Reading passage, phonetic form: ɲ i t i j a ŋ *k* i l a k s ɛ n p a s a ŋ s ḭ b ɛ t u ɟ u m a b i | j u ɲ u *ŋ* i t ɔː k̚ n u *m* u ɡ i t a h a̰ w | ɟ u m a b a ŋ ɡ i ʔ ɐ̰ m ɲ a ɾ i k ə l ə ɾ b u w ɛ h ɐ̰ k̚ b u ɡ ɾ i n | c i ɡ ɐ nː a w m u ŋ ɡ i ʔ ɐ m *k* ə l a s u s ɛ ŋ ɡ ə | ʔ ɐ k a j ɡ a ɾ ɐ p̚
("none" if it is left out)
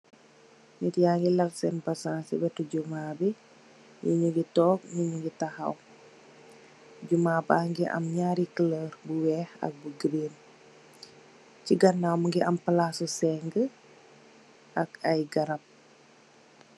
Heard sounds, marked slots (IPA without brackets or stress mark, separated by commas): ɡ, ɡ, ɲ, p